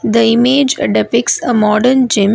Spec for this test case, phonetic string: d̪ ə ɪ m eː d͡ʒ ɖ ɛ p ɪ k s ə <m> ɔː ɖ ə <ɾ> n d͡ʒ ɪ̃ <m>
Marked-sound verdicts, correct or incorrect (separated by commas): correct, correct, correct